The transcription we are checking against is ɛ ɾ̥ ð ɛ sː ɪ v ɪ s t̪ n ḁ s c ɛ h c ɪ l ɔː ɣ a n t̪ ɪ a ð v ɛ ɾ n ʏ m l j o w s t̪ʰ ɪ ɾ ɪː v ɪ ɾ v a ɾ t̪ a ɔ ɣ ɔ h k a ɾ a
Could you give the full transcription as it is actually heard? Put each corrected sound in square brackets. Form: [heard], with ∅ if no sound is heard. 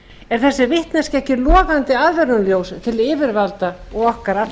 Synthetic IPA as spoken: ɛ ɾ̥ [θ] ɛ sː ɪ v ɪ [h] t̪ n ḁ s c ɛ h c ɪ l ɔː ɣ a n t̪ ɪ a ð v ɛ ɾ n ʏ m l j o w s t̪ʰ ɪ [l] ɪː v ɪ ɾ v a [l] t̪ a ɔ ɣ ɔ h k a ɾ a

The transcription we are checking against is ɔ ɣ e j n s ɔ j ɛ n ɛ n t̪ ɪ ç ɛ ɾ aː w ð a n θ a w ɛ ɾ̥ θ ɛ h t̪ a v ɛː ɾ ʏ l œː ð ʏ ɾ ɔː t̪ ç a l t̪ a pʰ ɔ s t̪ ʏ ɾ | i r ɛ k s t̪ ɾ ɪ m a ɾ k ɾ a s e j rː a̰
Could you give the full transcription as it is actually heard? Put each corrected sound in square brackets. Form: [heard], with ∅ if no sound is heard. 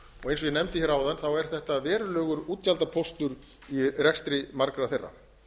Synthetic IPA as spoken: ɔ ɣ e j n s ɔ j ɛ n ɛ [m] t̪ ɪ ç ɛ ɾ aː w ð a n θ a w ɛ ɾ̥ θ ɛ h t̪ a v ɛː ɾ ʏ l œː [ɣ] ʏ ɾ [uː] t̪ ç a l t̪ a pʰ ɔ s t̪ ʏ ɾ | i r ɛ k s t̪ ɾ ɪ m a ɾ k ɾ a [θ] e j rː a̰

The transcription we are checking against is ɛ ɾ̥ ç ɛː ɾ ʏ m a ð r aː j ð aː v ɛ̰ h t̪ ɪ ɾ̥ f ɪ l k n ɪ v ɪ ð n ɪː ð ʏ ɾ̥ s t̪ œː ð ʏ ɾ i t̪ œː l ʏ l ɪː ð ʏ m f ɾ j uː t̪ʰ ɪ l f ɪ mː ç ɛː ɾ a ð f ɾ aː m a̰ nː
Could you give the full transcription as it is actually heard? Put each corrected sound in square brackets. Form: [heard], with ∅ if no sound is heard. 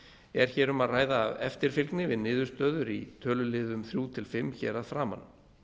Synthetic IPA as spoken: ɛ ɾ̥ ç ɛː ɾ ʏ m a ð r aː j ð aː v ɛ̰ [f] t̪ ɪ ɾ̥ f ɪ l k n ɪ v ɪ ð n ɪː ð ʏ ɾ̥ s t̪ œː ð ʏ ɾ i [t̪ʰ] œː l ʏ l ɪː ð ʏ m [θ] ɾ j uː t̪ʰ ɪ l f ɪ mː ç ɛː ɾ a ð f ɾ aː m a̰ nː

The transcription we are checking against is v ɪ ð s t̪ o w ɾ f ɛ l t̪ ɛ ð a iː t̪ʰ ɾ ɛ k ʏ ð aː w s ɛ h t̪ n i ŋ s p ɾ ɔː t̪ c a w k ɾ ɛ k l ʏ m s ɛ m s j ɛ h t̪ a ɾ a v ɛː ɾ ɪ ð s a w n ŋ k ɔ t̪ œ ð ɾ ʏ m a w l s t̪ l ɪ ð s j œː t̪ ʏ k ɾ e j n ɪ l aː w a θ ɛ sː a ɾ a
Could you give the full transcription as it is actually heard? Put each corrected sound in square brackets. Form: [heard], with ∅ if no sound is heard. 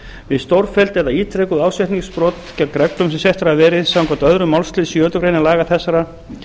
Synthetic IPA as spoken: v ɪ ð s t̪ o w ɾ f ɛ l t̪ ɛ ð a iː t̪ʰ ɾ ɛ k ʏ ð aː w s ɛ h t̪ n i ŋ s p ɾ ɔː t̪ c a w k ɾ ɛ k l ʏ m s ɛ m s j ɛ h t̪ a ɾ a v ɛː ɾ ɪ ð s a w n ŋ k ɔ t̪ œ ð ɾ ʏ m a w l s t̪ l ɪ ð s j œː t̪ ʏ k ɾ e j n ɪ l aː [ɣ] a θ ɛ sː a ɾ a

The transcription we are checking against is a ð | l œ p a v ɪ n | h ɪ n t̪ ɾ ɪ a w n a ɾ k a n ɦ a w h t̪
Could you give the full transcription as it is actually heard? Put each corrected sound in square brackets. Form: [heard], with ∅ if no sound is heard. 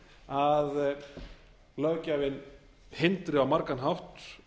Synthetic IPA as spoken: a ð | l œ [c] a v ɪ n | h ɪ n t̪ ɾ ɪ a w [m] a ɾ k a n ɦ a w h t̪

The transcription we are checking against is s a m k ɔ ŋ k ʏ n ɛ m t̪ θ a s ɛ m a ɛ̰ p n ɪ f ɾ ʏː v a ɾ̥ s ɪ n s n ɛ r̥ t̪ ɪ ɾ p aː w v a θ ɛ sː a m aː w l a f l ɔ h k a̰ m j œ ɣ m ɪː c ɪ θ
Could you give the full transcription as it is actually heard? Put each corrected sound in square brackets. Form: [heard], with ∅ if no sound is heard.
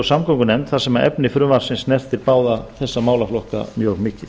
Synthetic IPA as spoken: s a m k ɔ ŋ k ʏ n ɛ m t̪ θ a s ɛ m a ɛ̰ p n ɪ f ɾ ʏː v a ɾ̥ s ɪ n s n ɛ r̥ t̪ ɪ ɾ p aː w [ð] a θ ɛ sː a m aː w l a f l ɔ h k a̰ m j œ ɣ m ɪː c ɪ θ

